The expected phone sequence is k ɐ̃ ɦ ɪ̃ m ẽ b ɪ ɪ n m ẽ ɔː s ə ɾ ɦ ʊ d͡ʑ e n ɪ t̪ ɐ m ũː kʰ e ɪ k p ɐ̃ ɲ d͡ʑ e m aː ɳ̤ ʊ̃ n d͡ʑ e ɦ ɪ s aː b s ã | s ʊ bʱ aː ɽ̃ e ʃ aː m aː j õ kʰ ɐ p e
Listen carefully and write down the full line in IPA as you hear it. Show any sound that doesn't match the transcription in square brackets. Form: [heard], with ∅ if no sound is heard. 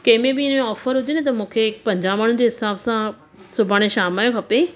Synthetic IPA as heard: k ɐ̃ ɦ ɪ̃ m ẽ b ɪ ɪ n m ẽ ɔː [f] ə ɾ ɦ ʊ d͡ʑ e n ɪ t̪ ɐ m ũː kʰ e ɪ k p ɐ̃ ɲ d͡ʑ [a] m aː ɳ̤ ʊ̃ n d͡ʑ e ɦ ɪ s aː b s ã | s ʊ bʱ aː ɽ̃ e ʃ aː m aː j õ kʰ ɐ p e